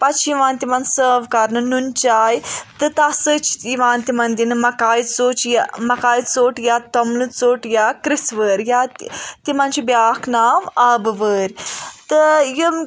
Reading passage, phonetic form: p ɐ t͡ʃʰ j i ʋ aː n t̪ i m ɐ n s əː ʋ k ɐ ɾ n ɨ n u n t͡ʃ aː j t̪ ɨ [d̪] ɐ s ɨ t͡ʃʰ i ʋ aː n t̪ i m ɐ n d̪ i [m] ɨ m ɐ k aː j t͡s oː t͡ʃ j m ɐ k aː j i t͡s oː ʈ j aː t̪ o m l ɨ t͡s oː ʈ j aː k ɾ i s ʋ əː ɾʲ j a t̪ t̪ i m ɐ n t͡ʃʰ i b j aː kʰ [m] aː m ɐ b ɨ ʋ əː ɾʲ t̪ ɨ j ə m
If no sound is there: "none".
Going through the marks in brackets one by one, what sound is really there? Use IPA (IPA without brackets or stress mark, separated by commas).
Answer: t̪, n, n